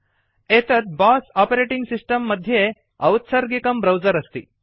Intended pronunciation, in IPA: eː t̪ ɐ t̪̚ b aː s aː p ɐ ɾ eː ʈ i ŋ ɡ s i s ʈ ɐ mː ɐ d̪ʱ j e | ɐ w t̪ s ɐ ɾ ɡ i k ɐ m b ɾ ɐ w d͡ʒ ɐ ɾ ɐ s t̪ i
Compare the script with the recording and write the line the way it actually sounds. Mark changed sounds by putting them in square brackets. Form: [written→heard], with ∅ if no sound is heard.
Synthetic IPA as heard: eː t̪ ɐ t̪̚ b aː s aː p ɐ ɾ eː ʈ i ŋ ɡ s i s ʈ ɐ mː ɐ d̪ʱ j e | ɐ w t̪ s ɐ ɾ ɡ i k ɐ m b ɾ ɐ w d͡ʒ ɐ ɾ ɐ s t̪ i